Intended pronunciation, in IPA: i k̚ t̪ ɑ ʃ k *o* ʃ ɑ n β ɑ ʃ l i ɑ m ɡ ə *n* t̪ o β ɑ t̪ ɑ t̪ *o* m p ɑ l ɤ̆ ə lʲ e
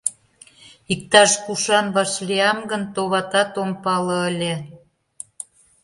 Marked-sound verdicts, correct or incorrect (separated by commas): incorrect, correct, correct